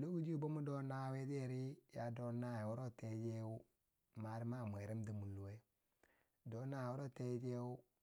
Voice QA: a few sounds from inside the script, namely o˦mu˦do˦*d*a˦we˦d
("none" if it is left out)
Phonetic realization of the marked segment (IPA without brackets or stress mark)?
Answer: n